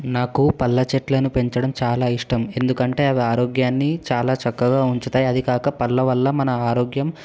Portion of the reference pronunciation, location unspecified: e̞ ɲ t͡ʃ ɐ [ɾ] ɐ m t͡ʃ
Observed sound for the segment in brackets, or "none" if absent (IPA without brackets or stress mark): ɽ